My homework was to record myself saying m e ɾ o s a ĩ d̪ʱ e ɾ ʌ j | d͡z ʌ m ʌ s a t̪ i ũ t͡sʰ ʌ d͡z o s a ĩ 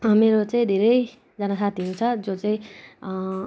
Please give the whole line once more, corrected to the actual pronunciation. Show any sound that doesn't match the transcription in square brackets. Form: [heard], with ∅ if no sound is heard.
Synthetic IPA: m e ɾ o [t͡s] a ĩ d̪ʱ e ɾ ʌ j | d͡z ʌ [n] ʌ s a t̪ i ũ t͡sʰ ʌ d͡z o [t͡s] a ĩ

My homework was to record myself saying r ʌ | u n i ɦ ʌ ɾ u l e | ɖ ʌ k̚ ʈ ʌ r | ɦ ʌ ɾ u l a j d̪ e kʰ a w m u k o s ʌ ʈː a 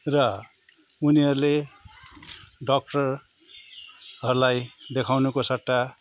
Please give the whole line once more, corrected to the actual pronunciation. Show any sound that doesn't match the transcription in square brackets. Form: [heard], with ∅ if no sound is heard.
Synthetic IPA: r ʌ | u n i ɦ ʌ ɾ u l e | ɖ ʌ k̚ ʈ ʌ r | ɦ ʌ ɾ u l a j d̪ e kʰ a w [n] u k o s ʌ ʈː a

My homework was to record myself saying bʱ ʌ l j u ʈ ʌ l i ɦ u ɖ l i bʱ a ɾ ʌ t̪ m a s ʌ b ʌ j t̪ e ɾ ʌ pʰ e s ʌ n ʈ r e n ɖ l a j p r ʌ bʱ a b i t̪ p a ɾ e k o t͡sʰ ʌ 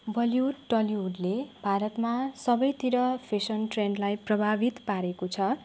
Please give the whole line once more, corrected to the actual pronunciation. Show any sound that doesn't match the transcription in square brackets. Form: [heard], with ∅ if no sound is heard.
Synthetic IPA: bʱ ʌ l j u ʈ ʌ l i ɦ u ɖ l [e] bʱ a ɾ ʌ t̪ m a s ʌ b ʌ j t̪ [i] ɾ ʌ pʰ e s ʌ n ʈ r e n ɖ l a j p r ʌ bʱ a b i t̪ p a ɾ e k o t͡sʰ ʌ

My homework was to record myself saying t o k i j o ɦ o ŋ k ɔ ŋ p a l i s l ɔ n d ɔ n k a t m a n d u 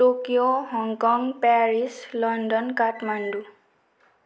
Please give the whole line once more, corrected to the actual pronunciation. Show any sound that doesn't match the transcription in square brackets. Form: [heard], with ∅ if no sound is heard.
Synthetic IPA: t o k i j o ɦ [ɔ] ŋ k ɔ ŋ p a [ɹ] i s l ɔ n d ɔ n k a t m a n d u

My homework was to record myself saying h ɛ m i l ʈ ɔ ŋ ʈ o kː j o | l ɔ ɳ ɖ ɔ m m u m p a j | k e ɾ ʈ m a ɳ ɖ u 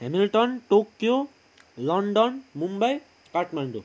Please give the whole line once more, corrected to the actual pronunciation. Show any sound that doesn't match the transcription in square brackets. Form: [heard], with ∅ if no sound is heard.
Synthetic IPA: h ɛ m i l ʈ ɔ [n] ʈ o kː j o | l ɔ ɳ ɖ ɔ [n] m u m [b] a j | k [a] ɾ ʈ m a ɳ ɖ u

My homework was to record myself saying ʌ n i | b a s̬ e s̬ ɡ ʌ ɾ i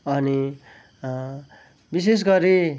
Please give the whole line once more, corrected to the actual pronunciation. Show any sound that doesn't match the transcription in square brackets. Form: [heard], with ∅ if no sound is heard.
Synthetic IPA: ʌ n i | b [i] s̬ e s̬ ɡ ʌ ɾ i

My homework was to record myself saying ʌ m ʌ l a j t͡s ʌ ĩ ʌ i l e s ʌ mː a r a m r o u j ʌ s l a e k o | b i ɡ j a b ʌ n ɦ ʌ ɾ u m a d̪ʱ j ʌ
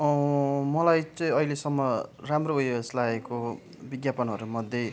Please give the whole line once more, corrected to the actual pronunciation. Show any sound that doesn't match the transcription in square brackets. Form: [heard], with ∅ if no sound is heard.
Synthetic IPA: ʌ m ʌ l a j t͡s ʌ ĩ ʌ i l e s ʌ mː [ʌ] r a m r o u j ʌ s l a e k o | b i ɡ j a [p] ʌ n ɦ ʌ ɾ u m [ʌ] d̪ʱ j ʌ

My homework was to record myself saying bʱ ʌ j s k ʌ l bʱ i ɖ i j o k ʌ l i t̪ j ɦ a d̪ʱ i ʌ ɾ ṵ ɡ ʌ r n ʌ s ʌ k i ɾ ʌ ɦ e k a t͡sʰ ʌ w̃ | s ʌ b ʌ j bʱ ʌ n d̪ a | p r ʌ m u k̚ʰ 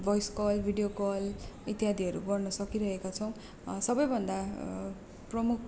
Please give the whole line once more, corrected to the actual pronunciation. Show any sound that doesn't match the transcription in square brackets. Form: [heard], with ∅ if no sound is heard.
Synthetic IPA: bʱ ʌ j s k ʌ l bʱ i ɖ i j o k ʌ l i t̪ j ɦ a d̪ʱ i ʌ ɾ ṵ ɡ ʌ r n ʌ s ʌ k i ɾ ʌ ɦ e k a t͡sʰ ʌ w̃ | s ʌ b ʌ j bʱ ʌ n d̪ a | p r ʌ m u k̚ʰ

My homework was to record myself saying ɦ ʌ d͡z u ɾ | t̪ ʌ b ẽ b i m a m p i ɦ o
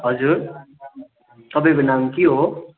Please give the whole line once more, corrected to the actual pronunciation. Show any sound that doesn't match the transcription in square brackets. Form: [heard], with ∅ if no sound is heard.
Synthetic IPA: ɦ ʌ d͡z u ɾ | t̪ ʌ b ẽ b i [n] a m [k] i ɦ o

